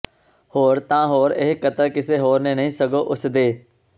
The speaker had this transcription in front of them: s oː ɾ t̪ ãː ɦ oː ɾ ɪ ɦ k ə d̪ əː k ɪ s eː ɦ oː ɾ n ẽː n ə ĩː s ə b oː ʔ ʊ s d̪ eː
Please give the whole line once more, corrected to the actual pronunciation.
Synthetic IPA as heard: h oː ɾ t̪ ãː ɦ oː ɾ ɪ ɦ k ə t̪ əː k ɪ s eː ɦ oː ɾ n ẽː n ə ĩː s ə ɡ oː ʔ ʊ s d̪ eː